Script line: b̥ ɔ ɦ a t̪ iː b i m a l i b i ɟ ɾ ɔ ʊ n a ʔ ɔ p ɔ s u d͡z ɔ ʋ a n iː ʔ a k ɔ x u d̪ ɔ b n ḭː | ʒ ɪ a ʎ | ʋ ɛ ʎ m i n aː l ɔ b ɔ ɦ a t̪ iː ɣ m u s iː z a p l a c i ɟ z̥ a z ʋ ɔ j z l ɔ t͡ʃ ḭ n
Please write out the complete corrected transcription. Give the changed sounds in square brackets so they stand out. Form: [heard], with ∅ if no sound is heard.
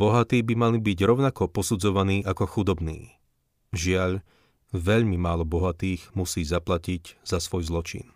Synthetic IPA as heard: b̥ ɔ ɦ a t̪ iː b i m a l i b i ɟ ɾ ɔ ʊ n a [k] ɔ p ɔ s u d͡z ɔ ʋ a n iː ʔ a k ɔ x u d̪ ɔ b n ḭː | ʒ ɪ a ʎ | ʋ ɛ ʎ m i [m] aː l ɔ b ɔ ɦ a t̪ iː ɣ m u s iː z a p l a c i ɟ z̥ a [s] ʋ ɔ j z l ɔ t͡ʃ ḭ n